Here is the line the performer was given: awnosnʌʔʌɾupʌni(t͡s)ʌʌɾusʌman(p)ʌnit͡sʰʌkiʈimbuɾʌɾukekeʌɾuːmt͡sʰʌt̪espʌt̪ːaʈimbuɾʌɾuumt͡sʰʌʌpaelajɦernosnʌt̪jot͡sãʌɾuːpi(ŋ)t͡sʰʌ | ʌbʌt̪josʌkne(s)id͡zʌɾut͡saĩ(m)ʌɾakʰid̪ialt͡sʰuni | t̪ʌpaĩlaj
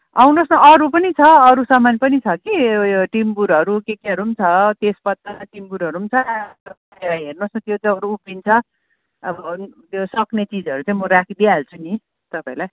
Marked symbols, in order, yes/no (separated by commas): no, yes, no, no, yes